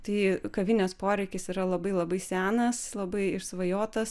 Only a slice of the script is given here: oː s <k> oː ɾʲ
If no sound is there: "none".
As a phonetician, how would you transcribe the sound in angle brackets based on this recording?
p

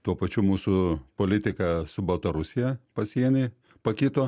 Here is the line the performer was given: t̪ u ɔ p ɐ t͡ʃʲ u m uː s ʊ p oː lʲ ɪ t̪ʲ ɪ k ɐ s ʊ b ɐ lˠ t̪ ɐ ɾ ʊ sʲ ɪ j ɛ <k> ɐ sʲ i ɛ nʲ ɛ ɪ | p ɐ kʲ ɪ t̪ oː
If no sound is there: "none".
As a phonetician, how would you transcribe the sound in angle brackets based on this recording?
p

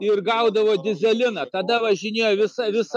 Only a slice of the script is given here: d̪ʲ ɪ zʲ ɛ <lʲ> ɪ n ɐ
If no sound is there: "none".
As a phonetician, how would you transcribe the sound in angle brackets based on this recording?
lʲ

